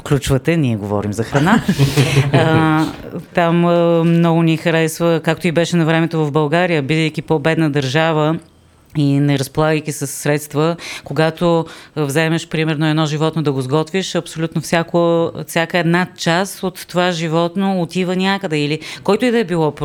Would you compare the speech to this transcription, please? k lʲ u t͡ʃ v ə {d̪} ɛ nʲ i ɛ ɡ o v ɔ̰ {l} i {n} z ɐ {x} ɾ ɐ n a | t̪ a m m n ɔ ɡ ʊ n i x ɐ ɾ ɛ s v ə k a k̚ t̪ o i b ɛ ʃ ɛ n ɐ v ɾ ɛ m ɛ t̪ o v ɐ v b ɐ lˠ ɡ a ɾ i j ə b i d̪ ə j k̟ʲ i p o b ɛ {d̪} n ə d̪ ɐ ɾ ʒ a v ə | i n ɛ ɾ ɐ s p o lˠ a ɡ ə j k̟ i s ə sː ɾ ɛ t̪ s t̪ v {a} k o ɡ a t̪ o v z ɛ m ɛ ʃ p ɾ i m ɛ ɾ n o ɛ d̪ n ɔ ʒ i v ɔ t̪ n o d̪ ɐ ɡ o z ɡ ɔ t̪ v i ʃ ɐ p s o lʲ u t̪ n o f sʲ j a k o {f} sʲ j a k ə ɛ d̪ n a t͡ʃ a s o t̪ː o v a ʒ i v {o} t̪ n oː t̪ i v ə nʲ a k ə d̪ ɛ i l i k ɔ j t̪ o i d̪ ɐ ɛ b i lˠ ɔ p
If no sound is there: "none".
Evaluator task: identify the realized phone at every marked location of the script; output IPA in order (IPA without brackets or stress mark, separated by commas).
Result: t̪, ɾ, m, x, d̪, ə, f, ɔ